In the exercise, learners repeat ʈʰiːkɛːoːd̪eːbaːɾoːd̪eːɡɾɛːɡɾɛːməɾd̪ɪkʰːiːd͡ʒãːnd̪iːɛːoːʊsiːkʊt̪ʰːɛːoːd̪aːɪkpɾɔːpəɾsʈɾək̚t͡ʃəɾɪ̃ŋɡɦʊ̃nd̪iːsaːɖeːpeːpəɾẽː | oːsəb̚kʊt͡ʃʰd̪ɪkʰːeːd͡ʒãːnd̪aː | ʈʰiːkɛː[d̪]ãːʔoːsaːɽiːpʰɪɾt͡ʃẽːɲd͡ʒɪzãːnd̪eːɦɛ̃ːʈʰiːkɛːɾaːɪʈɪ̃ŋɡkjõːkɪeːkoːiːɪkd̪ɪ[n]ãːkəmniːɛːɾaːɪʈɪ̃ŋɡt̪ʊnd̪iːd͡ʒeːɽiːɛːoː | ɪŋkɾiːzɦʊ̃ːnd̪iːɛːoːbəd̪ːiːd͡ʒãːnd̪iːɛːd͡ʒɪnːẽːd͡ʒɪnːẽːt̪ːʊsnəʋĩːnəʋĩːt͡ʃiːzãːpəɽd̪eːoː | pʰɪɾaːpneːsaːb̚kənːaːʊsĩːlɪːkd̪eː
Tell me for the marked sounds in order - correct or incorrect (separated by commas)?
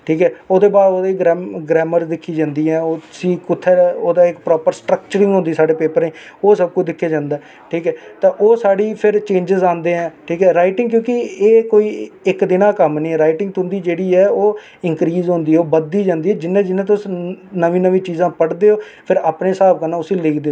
incorrect, correct